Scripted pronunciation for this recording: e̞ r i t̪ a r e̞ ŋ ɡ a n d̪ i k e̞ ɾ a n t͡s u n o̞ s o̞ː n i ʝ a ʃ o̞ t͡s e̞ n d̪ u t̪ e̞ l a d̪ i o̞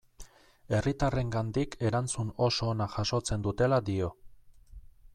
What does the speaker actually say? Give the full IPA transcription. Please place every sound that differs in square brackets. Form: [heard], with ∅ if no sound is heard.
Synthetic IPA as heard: e̞ r i t̪ a r e̞ ŋ ɡ a n d̪ i k e̞ ɾ a n t͡s u n o̞ s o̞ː n [a] ʝ a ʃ o̞ t͡s e̞ n d̪ u t̪ e̞ l a d̪ i o̞